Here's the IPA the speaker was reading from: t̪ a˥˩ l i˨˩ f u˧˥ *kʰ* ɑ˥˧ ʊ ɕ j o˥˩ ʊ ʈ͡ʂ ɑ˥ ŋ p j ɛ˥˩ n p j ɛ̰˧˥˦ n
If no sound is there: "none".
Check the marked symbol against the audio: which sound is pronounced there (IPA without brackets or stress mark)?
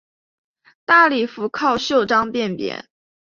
kʰ